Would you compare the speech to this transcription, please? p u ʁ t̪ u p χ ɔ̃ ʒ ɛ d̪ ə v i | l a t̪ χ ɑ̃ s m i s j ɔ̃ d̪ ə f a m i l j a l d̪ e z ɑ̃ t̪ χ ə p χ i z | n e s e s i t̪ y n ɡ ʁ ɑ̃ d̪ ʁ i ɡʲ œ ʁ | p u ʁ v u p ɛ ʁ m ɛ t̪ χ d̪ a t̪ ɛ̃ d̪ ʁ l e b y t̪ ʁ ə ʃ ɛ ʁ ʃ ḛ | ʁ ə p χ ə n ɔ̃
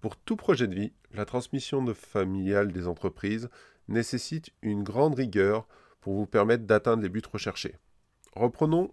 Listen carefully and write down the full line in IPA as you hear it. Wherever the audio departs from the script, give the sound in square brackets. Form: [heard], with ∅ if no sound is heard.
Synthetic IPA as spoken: p u ʁ t̪ u p χ [ɔ] ʒ ɛ d̪ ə v i | l a t̪ χ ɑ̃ s m i s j ɔ̃ d̪ ə f a m i l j a l d̪ e z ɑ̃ t̪ χ ə p χ i z | n e s e s i t̪ y n ɡ ʁ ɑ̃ d̪ ʁ i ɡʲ œ ʁ | p u ʁ v u p ɛ ʁ m ɛ t̪ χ d̪ a t̪ ɛ̃ d̪ ʁ l e b y t̪ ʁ ə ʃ ɛ ʁ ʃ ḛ | ʁ ə p χ ə n ɔ̃